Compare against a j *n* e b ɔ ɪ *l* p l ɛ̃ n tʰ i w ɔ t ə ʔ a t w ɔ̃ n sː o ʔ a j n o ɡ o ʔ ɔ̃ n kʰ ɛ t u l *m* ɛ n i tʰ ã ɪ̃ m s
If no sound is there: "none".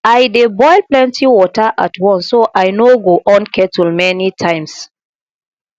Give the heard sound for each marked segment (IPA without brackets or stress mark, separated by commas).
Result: d, l, m